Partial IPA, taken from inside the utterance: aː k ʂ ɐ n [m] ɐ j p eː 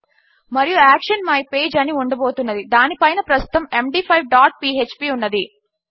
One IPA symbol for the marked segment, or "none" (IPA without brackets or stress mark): m